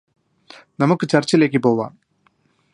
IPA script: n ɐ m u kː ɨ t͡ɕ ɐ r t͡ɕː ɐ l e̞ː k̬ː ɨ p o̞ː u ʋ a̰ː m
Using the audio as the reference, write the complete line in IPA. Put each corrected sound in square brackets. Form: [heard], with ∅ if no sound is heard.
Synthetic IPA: n ɐ m u kː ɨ t͡ɕ ɐ r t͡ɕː ɐ l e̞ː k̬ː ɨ p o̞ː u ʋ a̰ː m